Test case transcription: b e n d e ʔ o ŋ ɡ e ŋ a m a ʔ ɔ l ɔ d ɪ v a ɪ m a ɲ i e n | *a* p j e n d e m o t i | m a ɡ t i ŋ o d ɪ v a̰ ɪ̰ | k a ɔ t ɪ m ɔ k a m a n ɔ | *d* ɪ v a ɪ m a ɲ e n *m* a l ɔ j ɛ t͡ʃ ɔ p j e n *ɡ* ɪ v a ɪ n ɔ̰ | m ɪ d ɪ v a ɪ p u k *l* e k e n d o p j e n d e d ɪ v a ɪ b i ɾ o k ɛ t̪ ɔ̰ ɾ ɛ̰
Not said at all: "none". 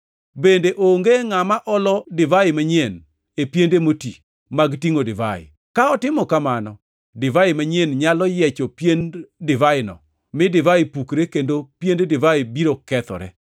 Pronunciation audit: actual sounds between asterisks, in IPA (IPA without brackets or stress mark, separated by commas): e, d, ɲ, d, ɾ